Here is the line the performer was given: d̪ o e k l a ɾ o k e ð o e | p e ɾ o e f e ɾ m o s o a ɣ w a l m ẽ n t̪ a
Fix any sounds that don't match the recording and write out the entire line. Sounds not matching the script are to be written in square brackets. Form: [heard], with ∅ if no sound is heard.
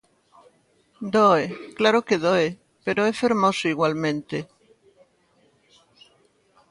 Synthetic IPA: d̪ o e k l a ɾ o k e ð o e | p e ɾ o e f e ɾ m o s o [i] ɣ w a l m ẽ n t̪ [e]